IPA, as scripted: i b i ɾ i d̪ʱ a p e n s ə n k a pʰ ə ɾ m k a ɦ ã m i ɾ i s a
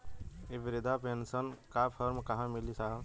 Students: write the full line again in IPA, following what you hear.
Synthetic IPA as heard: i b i ɾ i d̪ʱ a p e n s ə n k a pʰ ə ɾ m k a ɦ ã m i l i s a